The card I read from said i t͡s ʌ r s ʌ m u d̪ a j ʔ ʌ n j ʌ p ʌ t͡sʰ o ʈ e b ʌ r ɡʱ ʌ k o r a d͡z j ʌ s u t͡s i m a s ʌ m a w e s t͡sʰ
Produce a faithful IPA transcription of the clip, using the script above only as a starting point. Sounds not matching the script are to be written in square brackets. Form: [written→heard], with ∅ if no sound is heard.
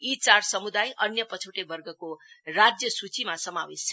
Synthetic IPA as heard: i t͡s [ʌ→a] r s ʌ m u d̪ a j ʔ ʌ n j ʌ p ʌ t͡sʰ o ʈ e b ʌ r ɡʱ ʌ k o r a d͡z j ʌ s u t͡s i m a s ʌ m a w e s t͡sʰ